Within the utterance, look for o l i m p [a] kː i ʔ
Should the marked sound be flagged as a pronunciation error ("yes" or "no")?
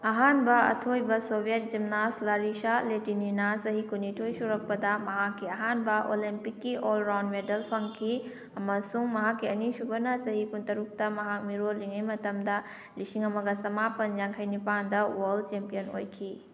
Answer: yes